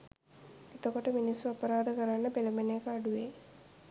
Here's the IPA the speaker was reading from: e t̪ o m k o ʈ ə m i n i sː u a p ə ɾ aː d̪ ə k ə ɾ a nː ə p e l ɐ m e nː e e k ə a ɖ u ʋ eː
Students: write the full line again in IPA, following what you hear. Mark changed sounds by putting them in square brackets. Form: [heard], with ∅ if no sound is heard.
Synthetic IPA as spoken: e t̪ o [∅] k o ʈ ə m i n i sː u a p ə ɾ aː d̪ ə k ə ɾ a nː ə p e l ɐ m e [n] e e k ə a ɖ u ʋ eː